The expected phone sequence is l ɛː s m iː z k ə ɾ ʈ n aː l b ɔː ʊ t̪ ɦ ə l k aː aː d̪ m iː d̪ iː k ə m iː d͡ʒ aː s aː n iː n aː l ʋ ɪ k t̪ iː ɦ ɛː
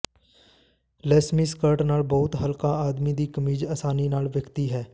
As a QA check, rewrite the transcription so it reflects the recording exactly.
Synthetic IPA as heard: l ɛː s m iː s k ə ɾ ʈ n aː l b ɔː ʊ t̪ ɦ ə l k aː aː d̪ m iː d̪ iː k ə m iː d͡ʒ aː s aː n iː n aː l ʋ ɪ k t̪ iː ɦ ɛː